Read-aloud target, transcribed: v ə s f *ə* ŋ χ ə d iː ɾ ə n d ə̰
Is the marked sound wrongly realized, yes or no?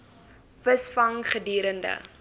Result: yes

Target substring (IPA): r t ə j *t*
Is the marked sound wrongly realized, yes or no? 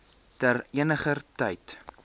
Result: no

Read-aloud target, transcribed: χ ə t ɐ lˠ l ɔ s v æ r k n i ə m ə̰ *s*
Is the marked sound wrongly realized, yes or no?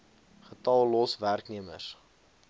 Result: no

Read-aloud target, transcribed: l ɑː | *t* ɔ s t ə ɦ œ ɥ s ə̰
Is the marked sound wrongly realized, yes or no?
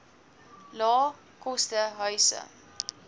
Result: yes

